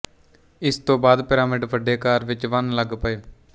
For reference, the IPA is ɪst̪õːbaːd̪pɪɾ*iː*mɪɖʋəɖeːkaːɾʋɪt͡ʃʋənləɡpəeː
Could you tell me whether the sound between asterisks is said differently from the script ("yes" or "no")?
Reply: yes